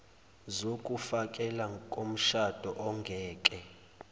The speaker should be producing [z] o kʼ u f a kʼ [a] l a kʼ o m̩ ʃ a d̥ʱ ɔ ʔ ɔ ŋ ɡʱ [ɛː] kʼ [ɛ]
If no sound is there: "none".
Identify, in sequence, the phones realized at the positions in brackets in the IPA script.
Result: z, ɛ, ɛː, ɛ

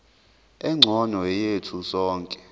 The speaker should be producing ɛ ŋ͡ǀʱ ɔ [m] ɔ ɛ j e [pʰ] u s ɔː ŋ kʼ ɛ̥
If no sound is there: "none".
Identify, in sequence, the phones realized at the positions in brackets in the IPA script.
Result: n, tʰ

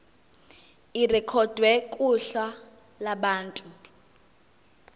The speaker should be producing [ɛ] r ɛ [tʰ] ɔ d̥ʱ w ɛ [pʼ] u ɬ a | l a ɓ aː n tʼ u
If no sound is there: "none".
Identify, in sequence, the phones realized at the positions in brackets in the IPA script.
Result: i, kʰ, kʼ

